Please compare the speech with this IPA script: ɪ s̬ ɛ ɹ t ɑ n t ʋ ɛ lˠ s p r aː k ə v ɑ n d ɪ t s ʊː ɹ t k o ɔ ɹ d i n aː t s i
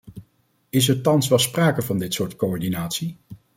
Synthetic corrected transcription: ɪ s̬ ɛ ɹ t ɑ n s ʋ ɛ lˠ s p r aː k ə v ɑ n d ɪ t s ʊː ɹ t k o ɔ ɹ d i n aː t s i